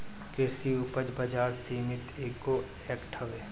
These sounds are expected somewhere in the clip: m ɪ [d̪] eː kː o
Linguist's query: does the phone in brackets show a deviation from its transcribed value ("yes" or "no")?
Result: yes